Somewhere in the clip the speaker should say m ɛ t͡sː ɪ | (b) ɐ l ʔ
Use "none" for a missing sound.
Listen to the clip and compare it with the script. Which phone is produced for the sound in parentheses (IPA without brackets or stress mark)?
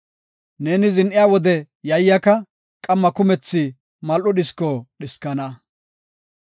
m